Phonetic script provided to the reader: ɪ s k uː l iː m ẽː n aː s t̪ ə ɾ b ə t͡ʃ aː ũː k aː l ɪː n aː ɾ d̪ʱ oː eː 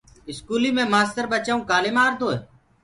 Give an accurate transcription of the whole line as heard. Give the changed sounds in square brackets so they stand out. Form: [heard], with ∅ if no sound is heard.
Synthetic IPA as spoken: ɪ s k uː l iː m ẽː [m] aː s t̪ ə ɾ b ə t͡ʃ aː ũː k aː l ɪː [m] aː ɾ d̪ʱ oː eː